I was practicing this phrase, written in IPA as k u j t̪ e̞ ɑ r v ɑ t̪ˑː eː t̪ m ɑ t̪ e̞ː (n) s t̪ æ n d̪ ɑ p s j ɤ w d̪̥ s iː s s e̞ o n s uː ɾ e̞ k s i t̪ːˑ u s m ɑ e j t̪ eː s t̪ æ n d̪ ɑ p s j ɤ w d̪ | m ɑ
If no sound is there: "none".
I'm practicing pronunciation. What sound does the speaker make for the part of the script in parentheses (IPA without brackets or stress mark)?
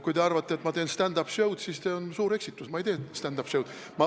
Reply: n